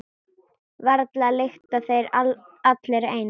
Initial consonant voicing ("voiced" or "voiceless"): voiced